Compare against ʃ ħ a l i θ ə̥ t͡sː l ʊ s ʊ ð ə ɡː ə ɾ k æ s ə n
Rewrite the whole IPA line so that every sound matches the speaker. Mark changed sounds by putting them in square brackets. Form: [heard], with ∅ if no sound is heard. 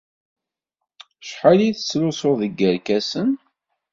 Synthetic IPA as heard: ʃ ħ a l i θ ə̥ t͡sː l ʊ s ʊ ð ə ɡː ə ɾ k æ s ə n